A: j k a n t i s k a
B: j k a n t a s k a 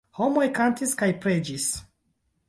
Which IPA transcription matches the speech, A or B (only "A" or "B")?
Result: A